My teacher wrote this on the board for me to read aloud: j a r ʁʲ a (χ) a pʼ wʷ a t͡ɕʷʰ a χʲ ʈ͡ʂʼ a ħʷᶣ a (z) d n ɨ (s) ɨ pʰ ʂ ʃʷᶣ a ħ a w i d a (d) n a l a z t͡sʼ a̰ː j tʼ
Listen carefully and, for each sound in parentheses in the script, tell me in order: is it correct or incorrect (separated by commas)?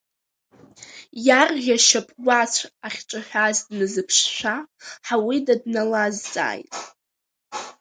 incorrect, correct, incorrect, correct